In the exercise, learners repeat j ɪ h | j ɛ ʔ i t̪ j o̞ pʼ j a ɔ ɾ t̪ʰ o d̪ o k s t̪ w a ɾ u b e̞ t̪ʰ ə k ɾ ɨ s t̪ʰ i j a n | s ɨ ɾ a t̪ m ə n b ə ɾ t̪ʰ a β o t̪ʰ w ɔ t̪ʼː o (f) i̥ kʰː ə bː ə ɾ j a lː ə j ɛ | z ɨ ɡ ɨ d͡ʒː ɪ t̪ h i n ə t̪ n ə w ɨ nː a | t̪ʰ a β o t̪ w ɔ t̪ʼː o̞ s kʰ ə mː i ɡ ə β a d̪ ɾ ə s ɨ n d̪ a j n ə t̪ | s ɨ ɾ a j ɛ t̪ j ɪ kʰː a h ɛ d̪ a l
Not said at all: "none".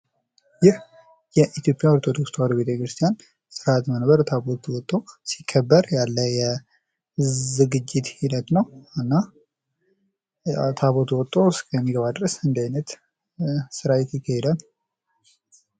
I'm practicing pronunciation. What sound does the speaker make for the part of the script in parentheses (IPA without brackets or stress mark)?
s